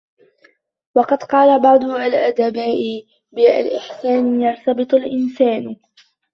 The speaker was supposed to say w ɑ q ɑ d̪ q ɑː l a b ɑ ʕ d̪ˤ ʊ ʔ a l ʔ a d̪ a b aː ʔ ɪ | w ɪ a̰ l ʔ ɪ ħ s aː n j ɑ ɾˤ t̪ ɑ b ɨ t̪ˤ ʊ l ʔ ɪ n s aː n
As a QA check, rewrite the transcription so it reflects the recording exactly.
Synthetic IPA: w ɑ q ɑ d̪ q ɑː l a b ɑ ʕ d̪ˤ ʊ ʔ a l ʔ a d̪ a b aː ʔ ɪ | b ɪ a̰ l ʔ ɪ ħ s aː n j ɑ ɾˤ t̪ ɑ b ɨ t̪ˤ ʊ l ʔ ɪ n s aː n